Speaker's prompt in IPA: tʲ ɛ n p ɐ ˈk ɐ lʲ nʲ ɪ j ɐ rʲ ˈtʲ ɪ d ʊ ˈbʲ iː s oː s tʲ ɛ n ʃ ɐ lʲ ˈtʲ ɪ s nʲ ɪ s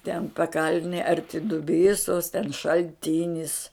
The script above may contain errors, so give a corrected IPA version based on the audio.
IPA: tʲ ɛ n p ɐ ˈk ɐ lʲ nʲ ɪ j ɐ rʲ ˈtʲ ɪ d ʊ ˈbʲ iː s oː s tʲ ɛ n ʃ ɐ lʲ ˈtʲ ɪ nʲ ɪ s